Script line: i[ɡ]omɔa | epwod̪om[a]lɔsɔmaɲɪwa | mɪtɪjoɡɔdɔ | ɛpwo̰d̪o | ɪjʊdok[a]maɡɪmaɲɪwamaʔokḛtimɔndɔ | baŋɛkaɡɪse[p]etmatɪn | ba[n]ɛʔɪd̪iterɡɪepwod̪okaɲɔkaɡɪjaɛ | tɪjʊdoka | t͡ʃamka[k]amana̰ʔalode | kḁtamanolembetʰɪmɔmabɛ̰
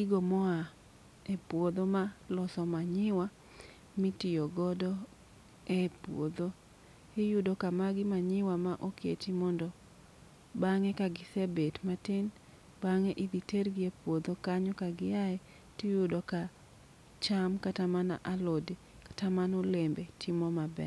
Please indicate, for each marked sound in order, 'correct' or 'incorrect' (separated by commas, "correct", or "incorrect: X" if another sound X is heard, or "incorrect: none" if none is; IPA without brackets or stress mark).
correct, correct, correct, incorrect: b, incorrect: ŋ, incorrect: t